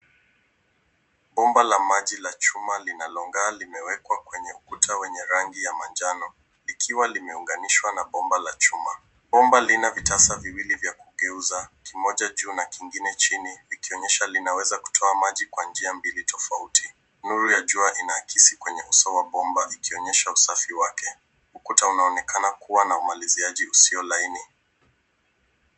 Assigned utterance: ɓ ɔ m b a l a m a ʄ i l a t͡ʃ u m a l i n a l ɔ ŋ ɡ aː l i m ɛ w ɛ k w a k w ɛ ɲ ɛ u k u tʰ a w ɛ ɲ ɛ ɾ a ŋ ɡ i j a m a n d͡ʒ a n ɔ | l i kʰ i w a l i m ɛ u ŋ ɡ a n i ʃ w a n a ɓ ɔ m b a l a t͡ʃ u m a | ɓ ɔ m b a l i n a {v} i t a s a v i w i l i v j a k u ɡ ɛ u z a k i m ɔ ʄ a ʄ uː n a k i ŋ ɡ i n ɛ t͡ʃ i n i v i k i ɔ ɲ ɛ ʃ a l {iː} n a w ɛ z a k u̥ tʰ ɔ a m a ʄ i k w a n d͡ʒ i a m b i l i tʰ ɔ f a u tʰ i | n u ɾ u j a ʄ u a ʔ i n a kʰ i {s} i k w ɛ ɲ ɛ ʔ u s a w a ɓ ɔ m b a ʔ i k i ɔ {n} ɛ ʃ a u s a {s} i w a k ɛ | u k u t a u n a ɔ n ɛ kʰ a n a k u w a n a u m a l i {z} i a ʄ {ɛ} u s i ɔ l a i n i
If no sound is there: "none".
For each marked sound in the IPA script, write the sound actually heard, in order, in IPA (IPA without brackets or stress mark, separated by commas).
v, i, s, ɲ, f, z, i